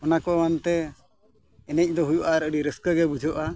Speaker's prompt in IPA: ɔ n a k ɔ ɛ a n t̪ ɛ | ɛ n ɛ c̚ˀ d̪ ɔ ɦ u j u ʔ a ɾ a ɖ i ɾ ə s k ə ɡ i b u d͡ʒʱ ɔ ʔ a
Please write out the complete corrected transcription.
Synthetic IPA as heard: ɔ n a k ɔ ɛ a n t̪ ɛ | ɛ n ɛ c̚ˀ d̪ ɔ ɦ u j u ʔ a ɾ ə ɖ i ɾ ə s k ə ɡ ɛ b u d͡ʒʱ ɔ ʔ a